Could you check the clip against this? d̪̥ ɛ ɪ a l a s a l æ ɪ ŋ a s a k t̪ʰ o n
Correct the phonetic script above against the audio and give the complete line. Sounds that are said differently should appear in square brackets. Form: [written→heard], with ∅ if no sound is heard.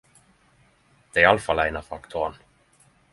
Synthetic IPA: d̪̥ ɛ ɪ a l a [s→f] a l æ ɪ [ŋ→n] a [s→f] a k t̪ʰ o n